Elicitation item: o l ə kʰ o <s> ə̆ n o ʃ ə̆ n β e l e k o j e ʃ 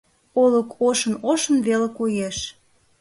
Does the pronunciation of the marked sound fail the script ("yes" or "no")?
yes